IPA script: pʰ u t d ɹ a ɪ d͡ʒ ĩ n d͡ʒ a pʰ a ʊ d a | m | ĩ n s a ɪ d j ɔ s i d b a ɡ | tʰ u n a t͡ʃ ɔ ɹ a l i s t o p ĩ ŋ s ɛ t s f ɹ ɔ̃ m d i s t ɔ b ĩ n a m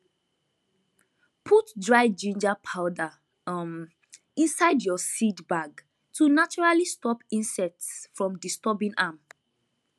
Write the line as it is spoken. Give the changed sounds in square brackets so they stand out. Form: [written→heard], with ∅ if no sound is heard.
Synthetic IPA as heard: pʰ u t d ɹ a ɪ d͡ʒ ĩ n d͡ʒ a pʰ a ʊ d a | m | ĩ n s a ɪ d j ɔ s i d b a ɡ | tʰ u n a t͡ʃ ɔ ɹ a l i s t [o→ɔ] p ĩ [ŋ→n] s ɛ t s f ɹ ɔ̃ m d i s t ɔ b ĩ n a m